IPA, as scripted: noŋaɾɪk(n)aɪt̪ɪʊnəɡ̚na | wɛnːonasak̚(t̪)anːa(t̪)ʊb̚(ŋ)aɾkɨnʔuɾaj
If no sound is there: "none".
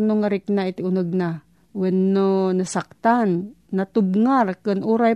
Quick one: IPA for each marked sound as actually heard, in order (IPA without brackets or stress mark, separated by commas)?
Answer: n, t̪, t̪, ŋ